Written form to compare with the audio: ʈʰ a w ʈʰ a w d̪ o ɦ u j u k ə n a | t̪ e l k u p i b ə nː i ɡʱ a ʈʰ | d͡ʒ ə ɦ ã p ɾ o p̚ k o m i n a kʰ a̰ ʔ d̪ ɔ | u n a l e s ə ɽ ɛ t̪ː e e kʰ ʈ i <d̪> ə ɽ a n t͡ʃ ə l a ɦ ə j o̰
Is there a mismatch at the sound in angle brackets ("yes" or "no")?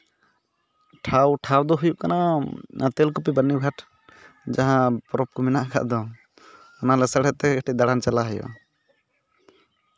no